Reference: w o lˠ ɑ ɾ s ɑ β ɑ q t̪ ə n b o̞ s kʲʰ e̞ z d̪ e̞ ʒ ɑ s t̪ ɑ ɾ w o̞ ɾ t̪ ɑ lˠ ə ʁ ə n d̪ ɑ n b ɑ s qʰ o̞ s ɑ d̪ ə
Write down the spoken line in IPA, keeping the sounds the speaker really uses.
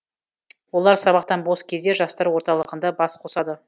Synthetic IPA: w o lˠ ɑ ɾ s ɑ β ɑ q t̪ ɑ n b o̞ s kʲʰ e̞ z d̪ e̞ ʒ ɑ s t̪ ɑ ɾ w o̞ ɾ t̪ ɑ lˠ ə ʁ ə n d̪ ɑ b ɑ s qʰ o̞ s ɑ d̪ ə